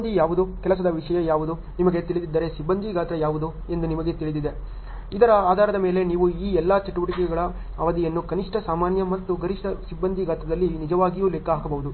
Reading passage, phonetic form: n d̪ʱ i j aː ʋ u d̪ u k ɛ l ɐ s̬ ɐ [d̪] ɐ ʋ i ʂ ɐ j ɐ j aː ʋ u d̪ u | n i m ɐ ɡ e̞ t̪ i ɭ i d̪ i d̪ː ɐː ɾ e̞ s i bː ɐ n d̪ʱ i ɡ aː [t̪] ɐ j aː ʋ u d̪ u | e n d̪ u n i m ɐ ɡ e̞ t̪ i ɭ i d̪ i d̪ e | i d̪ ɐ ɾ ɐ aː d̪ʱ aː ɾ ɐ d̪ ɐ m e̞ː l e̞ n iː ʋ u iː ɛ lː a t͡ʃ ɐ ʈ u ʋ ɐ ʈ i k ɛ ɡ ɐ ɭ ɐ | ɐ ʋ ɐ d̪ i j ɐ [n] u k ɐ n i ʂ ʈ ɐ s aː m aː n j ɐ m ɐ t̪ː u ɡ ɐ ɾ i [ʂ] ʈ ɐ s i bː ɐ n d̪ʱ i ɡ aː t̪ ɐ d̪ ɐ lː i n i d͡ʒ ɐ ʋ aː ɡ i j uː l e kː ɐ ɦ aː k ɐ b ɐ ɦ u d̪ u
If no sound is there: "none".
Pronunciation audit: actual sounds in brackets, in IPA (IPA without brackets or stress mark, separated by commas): d̪, t̪, nː, ʂ